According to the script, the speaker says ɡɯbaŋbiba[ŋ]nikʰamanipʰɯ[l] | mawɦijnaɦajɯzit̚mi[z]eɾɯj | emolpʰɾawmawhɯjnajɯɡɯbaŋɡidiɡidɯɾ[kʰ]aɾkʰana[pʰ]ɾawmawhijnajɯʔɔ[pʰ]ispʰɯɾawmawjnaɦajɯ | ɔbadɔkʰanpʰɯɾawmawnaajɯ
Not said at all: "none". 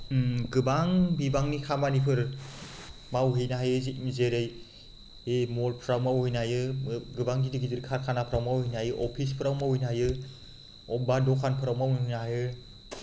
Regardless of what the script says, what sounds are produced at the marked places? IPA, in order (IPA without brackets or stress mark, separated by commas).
ŋ, ɾ, z, kʰ, pʰ, pʰ